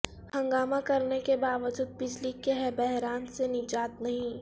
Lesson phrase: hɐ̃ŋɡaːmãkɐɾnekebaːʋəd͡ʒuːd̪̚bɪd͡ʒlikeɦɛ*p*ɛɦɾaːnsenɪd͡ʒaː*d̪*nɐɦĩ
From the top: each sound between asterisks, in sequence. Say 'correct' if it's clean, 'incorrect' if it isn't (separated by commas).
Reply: incorrect, incorrect